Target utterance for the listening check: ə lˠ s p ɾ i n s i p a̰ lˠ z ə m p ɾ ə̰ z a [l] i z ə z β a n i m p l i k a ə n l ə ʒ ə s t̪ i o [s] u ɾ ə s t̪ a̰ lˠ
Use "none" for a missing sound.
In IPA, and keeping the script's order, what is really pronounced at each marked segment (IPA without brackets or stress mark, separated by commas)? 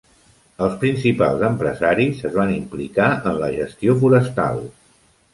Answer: ɾ, f